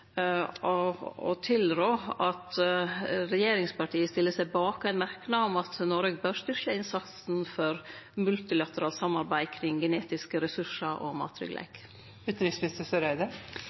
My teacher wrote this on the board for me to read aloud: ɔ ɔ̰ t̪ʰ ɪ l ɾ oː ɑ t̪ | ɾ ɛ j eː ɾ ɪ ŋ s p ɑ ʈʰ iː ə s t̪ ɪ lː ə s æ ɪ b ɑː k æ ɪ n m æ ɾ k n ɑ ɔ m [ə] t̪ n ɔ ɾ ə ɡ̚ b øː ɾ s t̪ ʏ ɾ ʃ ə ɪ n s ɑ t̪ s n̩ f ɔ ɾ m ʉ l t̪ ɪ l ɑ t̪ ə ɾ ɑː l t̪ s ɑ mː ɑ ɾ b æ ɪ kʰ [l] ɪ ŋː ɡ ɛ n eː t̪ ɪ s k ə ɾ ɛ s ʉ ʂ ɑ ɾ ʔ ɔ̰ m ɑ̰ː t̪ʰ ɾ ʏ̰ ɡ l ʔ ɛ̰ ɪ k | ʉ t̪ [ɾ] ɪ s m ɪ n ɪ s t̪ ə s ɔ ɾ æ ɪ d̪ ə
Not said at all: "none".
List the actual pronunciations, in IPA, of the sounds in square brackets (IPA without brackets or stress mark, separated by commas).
ɑ, ɾ, ɾ